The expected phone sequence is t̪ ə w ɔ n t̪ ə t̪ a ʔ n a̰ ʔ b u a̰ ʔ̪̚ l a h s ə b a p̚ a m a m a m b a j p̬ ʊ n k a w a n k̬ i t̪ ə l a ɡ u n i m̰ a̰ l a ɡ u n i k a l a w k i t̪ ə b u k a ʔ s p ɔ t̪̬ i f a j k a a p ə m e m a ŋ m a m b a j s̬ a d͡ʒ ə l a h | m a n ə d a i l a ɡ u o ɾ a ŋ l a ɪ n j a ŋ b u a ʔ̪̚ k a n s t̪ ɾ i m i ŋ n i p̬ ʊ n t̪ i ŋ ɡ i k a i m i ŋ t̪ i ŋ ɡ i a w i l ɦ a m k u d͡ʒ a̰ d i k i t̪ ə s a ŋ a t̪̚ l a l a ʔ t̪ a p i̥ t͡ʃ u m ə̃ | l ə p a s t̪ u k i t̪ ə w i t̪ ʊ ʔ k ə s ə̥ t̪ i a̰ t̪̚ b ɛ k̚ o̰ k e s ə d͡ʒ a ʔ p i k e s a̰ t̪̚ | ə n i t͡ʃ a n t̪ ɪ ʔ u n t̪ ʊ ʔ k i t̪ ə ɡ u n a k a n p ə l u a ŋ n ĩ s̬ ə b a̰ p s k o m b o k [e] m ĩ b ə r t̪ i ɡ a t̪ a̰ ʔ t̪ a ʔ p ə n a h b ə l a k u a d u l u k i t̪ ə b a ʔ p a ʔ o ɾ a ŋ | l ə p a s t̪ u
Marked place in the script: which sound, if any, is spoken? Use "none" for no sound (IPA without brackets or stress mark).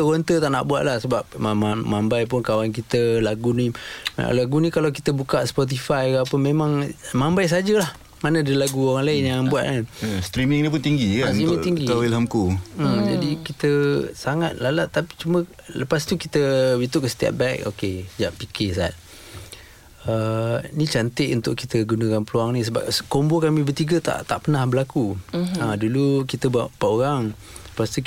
a